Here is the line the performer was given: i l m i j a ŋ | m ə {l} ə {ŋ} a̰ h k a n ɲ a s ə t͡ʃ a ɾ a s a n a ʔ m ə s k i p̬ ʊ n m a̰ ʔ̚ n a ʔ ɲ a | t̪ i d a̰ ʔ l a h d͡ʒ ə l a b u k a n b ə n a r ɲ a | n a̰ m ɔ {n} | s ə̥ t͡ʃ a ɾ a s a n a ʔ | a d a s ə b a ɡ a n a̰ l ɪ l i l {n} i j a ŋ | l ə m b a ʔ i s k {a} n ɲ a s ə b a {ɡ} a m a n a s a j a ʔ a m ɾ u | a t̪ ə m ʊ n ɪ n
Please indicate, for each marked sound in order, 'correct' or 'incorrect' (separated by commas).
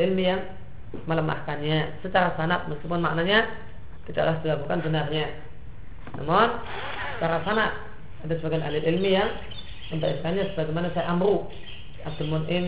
correct, incorrect, correct, incorrect, correct, correct